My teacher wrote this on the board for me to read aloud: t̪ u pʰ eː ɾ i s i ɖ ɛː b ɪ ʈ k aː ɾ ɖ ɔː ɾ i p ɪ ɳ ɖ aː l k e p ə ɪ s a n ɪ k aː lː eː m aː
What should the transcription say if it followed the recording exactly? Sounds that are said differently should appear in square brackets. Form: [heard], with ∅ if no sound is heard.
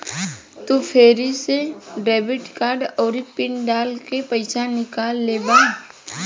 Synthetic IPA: t̪ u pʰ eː ɾ i s [e] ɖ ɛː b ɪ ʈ k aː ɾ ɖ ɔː ɾ i p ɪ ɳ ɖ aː l k e p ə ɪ s a n ɪ k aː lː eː [b] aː